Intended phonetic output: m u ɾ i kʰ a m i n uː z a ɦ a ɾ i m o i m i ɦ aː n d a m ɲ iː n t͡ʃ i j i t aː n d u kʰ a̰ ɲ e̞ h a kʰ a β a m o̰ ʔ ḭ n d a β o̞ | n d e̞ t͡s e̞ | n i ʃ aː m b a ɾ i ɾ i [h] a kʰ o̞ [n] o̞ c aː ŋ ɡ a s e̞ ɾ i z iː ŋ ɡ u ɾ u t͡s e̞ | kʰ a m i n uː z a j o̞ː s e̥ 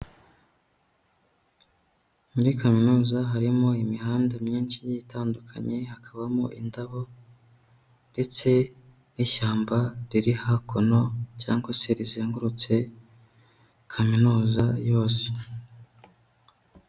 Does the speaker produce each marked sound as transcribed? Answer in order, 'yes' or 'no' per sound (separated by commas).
yes, yes